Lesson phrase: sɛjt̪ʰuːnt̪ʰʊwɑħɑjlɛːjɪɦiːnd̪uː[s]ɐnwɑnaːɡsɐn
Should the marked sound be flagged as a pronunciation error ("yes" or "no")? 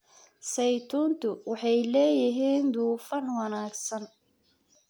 yes